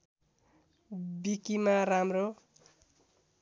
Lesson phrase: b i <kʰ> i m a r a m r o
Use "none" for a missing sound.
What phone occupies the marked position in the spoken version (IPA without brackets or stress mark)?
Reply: k